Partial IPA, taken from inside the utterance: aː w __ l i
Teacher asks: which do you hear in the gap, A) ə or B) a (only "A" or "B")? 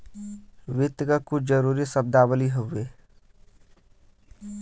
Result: A